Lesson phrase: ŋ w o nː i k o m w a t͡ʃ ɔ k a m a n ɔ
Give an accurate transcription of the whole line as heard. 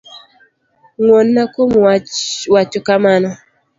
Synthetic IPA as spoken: ŋ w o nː a k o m w a t͡ʃ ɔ k a m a n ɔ